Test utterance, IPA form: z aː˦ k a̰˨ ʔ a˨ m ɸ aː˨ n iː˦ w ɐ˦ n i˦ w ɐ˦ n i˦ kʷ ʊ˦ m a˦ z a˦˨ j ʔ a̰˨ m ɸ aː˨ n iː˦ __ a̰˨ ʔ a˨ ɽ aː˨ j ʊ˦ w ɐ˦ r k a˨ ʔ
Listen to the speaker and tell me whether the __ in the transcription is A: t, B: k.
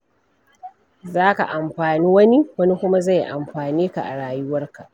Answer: B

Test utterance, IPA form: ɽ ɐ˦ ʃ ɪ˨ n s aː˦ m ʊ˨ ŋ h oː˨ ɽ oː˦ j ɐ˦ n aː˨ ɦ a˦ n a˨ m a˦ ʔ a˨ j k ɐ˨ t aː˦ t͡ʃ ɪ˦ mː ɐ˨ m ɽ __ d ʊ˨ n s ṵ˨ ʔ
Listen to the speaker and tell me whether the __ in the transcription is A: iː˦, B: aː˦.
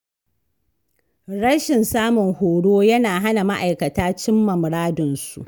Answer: B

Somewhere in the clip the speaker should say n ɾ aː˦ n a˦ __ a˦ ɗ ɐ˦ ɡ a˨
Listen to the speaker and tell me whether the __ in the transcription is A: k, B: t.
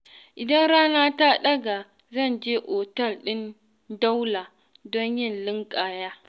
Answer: B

